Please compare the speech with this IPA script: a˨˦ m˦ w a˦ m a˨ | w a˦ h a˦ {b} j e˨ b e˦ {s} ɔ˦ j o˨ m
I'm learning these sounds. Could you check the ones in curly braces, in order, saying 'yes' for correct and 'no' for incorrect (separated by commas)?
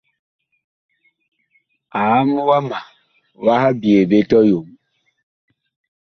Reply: yes, no